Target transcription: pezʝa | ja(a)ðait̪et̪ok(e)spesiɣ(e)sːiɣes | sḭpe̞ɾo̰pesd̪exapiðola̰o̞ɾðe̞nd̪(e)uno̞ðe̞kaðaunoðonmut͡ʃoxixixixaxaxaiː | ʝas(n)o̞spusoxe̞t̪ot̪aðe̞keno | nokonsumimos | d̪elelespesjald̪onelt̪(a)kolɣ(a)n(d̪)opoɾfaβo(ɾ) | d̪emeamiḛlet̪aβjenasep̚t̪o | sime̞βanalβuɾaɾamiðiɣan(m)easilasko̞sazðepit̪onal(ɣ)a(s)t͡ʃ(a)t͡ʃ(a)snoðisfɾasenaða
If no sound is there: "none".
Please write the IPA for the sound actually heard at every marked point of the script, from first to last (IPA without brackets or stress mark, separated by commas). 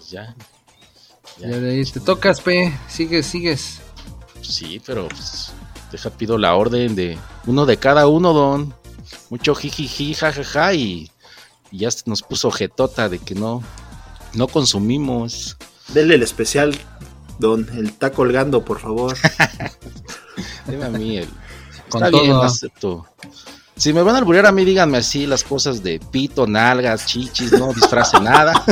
a, a, e, e, n, a, a, d̪, ɾ, m, ɣ, s, i, i